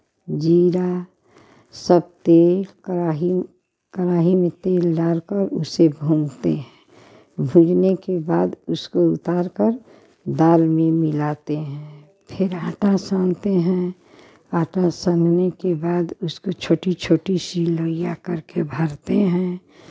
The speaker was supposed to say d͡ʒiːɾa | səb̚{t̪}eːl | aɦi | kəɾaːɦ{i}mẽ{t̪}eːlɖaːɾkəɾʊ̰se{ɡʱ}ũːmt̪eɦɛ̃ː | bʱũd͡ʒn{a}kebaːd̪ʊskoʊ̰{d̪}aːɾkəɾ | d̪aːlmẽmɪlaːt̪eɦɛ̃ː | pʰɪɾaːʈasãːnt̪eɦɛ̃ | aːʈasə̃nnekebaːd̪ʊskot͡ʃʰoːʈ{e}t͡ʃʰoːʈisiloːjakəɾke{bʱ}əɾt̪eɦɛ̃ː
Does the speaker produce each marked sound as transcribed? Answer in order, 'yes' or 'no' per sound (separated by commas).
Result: yes, yes, yes, no, no, no, no, yes